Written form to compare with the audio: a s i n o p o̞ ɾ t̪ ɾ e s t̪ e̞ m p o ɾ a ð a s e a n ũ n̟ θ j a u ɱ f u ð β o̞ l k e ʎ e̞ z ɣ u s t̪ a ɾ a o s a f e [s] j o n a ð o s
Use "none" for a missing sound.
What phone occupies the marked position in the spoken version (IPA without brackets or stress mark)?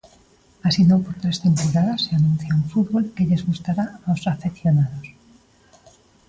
θ